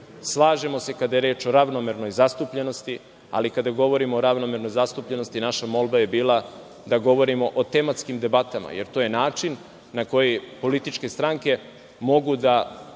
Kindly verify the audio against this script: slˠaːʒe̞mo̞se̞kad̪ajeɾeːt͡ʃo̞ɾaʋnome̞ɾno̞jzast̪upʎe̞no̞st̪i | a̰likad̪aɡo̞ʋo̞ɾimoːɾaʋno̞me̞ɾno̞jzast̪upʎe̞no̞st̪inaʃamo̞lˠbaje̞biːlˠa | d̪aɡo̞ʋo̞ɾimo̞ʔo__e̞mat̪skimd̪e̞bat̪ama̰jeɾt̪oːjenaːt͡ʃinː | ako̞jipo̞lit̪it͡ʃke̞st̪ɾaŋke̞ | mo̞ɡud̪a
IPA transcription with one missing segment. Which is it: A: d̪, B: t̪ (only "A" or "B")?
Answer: B